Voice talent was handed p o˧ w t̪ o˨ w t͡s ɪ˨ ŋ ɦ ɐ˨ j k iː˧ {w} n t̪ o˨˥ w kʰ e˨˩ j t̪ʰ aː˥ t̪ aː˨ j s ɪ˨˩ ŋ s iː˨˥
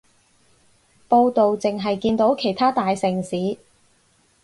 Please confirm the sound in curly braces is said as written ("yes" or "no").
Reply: no